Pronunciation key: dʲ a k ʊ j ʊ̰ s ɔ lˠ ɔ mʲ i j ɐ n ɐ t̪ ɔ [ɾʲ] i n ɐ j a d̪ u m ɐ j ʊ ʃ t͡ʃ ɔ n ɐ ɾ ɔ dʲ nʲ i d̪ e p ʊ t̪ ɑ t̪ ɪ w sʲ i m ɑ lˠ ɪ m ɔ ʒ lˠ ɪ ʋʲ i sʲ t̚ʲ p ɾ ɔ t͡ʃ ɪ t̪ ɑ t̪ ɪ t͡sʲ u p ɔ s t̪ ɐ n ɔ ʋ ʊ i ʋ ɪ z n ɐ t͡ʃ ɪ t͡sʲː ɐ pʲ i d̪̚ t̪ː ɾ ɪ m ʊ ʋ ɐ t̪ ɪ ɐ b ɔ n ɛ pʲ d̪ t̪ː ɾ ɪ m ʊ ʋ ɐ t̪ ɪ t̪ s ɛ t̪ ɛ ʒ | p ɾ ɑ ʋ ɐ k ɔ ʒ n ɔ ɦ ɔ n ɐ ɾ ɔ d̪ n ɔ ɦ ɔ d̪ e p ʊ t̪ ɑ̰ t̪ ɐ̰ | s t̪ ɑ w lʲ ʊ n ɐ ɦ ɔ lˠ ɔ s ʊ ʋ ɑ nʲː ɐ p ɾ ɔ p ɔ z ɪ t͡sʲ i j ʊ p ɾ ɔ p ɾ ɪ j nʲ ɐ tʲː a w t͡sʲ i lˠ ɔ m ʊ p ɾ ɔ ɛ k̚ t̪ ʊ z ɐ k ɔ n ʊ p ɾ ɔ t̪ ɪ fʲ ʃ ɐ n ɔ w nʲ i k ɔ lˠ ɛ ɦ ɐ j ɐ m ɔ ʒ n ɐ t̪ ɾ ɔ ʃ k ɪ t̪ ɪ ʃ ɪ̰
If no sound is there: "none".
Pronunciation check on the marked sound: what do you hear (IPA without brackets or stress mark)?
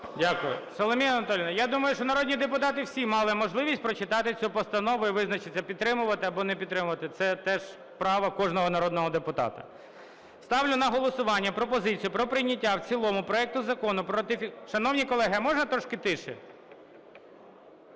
lʲ